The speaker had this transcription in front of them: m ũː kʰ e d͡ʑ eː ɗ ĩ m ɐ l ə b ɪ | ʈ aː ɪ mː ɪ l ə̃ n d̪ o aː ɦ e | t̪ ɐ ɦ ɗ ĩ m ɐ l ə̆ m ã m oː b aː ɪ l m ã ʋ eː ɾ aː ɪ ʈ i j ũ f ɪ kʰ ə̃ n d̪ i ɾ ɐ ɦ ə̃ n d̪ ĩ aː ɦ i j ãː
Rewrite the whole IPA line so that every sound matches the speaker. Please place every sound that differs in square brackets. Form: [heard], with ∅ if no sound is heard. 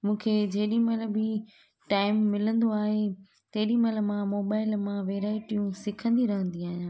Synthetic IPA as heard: m ũː kʰ e d͡ʑ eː ɗ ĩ m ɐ l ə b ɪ | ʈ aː ɪ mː ɪ l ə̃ n d̪ o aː ɦ e | t̪ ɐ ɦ ɗ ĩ m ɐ l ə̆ m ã m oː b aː ɪ l m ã ʋ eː ɾ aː ɪ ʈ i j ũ [s] ɪ kʰ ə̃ n d̪ i ɾ ɐ ɦ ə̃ n d̪ [i] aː ɦ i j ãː